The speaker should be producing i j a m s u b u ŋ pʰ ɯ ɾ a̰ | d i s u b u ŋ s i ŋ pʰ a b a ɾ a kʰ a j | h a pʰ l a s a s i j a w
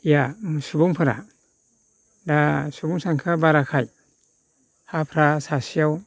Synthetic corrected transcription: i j a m s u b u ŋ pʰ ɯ ɾ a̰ | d a s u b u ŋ s a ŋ kʰ a b a ɾ a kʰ a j | h a pʰ ɾ a s a s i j a w